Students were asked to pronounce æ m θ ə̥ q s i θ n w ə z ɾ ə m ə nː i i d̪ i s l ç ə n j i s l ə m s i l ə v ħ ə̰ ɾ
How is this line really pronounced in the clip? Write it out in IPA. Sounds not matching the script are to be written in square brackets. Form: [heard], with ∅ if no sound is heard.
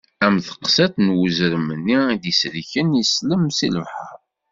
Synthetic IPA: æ m θ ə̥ q s [æ] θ n w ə z ɾ ə m ə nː i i d̪ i s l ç ə n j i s l ə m s i l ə v ħ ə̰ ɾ